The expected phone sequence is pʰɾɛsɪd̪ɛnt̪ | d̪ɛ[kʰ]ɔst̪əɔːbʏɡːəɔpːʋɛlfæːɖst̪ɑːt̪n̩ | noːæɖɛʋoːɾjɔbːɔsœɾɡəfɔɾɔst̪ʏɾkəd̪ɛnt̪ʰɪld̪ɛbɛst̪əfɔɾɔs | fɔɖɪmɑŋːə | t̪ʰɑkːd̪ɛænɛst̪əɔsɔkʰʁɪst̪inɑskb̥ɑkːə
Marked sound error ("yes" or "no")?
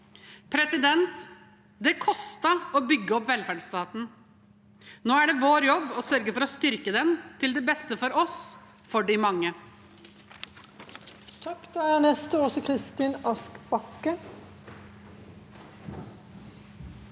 no